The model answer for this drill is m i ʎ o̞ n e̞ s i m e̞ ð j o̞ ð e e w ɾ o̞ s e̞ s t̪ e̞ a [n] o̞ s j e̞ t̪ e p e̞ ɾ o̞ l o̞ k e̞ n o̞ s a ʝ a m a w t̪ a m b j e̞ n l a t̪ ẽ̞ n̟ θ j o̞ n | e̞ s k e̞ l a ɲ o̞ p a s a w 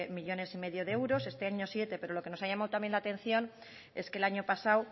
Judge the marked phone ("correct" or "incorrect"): incorrect